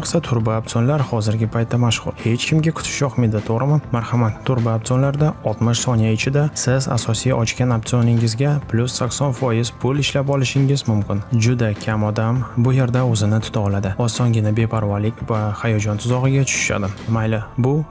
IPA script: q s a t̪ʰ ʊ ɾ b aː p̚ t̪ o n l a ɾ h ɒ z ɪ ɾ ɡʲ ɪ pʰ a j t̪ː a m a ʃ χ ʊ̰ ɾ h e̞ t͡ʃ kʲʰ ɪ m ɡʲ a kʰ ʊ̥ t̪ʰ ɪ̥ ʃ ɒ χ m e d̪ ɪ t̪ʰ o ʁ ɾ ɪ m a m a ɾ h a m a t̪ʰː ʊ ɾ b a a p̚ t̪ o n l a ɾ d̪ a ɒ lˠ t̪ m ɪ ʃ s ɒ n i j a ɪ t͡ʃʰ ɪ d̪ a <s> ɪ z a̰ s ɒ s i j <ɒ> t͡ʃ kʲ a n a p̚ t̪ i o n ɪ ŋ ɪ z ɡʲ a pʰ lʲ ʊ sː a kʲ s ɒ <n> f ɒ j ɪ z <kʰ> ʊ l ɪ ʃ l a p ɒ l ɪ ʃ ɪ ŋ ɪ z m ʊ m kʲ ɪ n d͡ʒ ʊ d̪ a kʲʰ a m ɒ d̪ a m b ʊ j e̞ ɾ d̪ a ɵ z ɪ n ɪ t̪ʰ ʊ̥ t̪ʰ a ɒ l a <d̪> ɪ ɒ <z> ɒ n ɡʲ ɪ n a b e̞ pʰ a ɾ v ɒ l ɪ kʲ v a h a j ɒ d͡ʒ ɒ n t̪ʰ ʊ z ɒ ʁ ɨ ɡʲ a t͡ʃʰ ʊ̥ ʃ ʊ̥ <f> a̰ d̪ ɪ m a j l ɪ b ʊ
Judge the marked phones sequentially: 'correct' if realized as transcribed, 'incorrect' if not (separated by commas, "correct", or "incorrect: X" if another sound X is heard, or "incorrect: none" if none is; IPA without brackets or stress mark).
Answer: correct, correct, correct, incorrect: pʰ, correct, incorrect: s, incorrect: ʃ